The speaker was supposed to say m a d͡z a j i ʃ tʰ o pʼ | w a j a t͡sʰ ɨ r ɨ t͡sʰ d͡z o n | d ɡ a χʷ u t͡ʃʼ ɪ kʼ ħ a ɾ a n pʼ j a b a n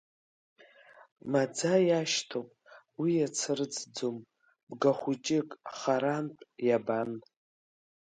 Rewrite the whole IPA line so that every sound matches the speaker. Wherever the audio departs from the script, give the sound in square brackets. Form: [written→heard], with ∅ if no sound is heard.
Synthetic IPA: m a d͡z a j [i→a] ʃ tʰ o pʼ | w [a→i] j a t͡sʰ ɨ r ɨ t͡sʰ d͡z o [n→m] | [d→b] ɡ a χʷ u t͡ʃʼ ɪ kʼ [ħ→χ] a ɾ a n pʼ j a b a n